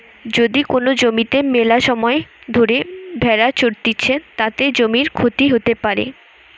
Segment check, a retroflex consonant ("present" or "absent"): absent